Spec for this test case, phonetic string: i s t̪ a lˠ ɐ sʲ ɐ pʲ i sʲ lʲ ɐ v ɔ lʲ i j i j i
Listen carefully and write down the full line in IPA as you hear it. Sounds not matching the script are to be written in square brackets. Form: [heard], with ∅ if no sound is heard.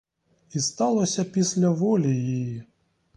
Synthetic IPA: i s t̪ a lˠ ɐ sʲ ɐ pʲ i sʲ lʲ ɐ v ɔ lʲ i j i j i